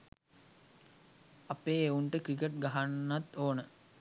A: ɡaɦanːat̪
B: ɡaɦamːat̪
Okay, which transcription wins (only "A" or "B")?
A